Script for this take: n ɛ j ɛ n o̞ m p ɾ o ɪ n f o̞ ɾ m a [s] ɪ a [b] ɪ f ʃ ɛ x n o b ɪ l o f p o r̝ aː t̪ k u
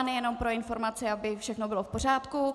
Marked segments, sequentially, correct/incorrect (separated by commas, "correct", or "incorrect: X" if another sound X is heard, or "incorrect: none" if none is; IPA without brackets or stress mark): incorrect: t͡s, correct